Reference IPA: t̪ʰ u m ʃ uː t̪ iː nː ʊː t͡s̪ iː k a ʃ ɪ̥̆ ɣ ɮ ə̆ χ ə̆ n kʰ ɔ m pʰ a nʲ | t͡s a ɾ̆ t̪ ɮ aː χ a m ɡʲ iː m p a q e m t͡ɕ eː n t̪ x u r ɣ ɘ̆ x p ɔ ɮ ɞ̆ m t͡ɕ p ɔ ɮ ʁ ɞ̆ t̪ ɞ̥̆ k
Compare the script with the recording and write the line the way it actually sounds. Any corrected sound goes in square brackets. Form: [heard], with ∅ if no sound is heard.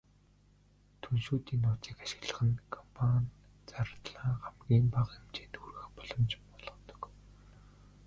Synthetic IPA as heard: t̪ʰ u [n] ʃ uː t̪ iː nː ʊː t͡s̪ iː k a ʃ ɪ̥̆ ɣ ɮ ə̆ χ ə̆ n kʰ ɔ m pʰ a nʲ | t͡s a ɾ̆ t̪ ɮ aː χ a m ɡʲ iː m p a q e m t͡ɕ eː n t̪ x u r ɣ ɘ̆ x p ɔ ɮ ɞ̆ m t͡ɕ p ɔ ɮ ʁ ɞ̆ t̪ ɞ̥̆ k

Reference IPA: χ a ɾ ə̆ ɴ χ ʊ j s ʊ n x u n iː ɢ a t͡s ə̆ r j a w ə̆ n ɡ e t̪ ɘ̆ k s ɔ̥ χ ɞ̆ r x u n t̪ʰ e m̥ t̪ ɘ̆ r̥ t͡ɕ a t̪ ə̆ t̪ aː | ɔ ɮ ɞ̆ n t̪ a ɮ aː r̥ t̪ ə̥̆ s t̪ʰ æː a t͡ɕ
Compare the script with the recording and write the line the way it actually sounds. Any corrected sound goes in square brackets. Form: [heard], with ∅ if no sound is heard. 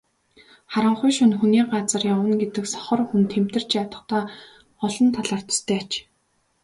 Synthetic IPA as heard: χ a ɾ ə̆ ɴ χ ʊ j [ʃ] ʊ n x u n iː ɢ a t͡s ə̆ r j a w ə̆ n ɡ e t̪ ɘ̆ k s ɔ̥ χ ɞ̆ r x u n t̪ʰ e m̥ t̪ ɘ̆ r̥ t͡ɕ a t̪ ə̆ t̪ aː | ɔ ɮ ɞ̆ n [t̪ʰ] a ɮ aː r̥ t̪ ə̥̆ s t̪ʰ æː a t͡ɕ

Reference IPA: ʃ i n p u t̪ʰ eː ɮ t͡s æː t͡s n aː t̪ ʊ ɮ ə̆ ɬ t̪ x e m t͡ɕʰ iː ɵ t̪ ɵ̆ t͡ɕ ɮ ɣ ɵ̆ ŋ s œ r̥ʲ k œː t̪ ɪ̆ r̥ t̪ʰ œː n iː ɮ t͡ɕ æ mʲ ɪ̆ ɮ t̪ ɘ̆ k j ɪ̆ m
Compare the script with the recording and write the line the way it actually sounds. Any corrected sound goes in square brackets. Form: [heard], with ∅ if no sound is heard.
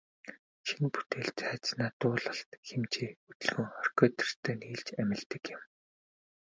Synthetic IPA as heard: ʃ i n p u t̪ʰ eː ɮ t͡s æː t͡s n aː t̪ [ʊː] ɮ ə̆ ɬ t̪ x e m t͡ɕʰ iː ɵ t̪ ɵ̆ [∅] ɮ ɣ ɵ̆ ŋ [χ] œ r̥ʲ k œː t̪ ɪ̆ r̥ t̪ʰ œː n iː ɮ t͡ɕ æ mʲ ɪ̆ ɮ t̪ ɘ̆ k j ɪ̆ m

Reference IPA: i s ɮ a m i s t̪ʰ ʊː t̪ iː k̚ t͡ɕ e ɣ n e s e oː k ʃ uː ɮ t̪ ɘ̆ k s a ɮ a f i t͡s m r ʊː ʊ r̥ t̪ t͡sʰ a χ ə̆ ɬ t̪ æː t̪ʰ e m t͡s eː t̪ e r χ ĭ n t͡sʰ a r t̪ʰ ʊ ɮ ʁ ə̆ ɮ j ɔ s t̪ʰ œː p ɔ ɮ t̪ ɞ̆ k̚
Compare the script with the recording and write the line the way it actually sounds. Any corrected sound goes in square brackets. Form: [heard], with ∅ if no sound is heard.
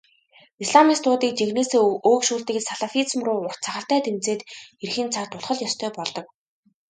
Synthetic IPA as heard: i s ɮ a m i s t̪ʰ ʊː t̪ iː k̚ t͡ɕ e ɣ n e s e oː k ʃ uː ɮ t̪ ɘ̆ k s a ɮ a f i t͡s m r ʊː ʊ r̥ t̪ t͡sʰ a χ ə̆ ɬ t̪ æː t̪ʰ e m t͡s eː t̪ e r [x] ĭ n t͡sʰ a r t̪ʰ ʊ ɮ [χ] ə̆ ɮ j ɔ s t̪ʰ œː p ɔ ɮ t̪ ɞ̆ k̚

